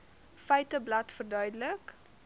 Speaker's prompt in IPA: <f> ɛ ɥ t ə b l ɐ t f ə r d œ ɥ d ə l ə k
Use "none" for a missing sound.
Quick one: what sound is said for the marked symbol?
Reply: f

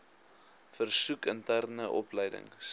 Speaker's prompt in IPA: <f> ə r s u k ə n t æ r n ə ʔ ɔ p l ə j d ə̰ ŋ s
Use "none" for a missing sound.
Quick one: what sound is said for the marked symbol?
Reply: f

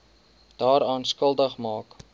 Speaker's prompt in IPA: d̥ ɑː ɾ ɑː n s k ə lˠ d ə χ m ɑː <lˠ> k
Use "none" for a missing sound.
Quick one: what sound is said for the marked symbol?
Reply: none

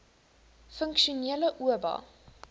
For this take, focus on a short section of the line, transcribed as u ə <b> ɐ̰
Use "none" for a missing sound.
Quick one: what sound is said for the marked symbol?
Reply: b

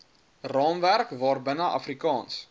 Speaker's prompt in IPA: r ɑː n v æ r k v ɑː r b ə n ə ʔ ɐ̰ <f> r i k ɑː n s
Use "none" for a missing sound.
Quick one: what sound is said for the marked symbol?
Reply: f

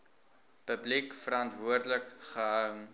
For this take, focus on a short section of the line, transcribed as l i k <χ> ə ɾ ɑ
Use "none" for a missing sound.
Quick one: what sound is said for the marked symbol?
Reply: f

